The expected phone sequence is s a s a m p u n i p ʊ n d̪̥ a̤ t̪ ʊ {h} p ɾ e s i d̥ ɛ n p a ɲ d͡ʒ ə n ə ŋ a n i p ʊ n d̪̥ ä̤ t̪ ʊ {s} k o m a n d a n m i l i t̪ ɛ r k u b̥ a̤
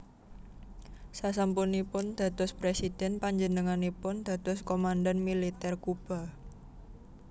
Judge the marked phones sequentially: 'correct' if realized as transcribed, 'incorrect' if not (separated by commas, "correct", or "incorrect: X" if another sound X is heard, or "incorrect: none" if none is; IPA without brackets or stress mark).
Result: incorrect: s, correct